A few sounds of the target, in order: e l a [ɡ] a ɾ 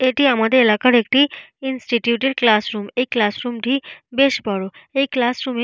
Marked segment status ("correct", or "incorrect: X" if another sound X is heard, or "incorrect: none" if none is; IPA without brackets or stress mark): incorrect: k